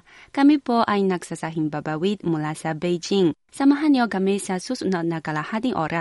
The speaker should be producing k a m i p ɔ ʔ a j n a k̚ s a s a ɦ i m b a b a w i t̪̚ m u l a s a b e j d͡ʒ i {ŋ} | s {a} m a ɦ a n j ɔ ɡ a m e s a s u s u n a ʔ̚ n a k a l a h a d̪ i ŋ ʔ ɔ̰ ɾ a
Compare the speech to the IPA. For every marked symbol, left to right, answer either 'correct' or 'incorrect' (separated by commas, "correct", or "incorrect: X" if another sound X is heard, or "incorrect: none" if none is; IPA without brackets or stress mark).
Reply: correct, correct